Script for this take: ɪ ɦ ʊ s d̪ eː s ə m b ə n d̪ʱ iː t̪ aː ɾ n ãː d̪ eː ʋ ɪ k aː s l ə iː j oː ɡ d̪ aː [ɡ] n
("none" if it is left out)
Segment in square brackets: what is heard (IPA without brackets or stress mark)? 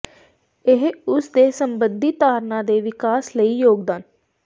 none